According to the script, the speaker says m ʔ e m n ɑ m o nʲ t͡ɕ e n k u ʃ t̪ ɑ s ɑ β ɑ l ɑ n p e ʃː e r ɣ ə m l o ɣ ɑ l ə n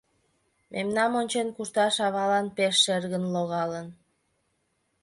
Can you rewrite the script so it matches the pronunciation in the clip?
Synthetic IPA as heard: m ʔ e m n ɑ m o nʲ t͡ɕ e n k u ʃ t̪ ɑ ʃ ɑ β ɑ l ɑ n p e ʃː e r ɣ ə n l o ɣ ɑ l ə n